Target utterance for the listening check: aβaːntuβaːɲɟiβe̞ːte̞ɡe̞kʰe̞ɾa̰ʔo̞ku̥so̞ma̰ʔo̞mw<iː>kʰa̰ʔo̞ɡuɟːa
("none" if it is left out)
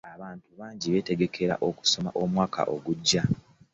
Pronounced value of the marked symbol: aː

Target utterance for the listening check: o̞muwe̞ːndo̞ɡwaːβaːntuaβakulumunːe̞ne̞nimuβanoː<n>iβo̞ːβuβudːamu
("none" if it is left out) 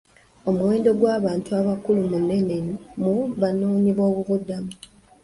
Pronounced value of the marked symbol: ɲ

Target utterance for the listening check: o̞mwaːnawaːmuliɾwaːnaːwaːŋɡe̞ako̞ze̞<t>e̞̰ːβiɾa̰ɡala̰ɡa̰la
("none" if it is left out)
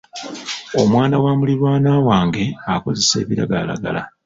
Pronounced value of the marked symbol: s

